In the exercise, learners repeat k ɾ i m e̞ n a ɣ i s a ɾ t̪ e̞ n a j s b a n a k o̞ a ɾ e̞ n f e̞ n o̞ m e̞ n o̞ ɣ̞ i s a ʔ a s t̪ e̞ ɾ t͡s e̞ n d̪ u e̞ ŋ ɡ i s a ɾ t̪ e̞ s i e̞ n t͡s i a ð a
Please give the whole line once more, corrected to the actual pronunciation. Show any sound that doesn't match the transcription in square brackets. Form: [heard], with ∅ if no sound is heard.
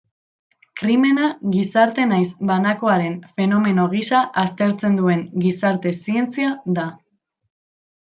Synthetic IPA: k ɾ i m e̞ n a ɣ i s a ɾ t̪ e̞ n a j s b a n a k o̞ a ɾ e̞ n f e̞ n o̞ m e̞ n o̞ ɣ̞ i s a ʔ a s t̪ e̞ ɾ t͡s e̞ n d̪ u e̞ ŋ ɡ i s a ɾ t̪ e̞ s i e̞ n t͡s i a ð a